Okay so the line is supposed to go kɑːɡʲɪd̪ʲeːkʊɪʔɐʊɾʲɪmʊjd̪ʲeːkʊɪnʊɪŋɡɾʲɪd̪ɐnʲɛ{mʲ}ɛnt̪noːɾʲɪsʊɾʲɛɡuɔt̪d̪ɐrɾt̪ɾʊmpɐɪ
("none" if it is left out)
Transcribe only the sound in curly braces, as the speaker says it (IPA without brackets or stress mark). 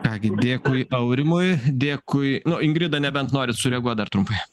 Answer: bʲ